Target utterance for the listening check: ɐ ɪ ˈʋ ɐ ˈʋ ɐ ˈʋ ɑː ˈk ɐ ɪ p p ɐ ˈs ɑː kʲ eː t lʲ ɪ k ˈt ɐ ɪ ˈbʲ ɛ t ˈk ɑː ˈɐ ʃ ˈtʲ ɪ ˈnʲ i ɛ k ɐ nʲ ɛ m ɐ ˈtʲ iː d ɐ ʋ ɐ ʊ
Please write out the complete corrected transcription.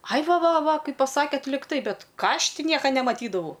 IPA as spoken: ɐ ɪ ˈʋ ɐ ˈʋ ɐ ˈʋ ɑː ˈk ɐ ɪ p p ɐ ˈs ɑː kʲ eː t lʲ ɪ k ˈt ɐ ɪ ˈbʲ ɛ t ˈk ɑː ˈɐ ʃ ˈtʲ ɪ ˈnʲ i ɛ k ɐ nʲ ɛ m ɐ ˈtʲ iː d ɐ ʋ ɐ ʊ